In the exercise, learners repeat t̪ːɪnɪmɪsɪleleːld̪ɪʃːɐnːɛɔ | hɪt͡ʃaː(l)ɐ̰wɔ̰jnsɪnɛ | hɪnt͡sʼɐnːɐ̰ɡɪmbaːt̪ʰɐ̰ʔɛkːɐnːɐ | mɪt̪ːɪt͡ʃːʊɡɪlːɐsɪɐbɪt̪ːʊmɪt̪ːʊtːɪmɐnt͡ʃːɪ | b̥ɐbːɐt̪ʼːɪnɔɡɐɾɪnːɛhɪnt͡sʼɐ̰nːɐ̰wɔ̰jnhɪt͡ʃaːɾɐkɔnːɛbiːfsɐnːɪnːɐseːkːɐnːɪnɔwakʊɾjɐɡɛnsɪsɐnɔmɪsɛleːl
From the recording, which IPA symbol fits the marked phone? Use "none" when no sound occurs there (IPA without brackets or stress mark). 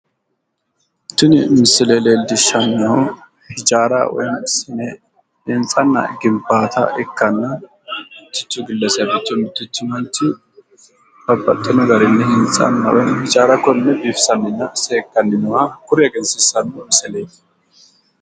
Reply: ɾ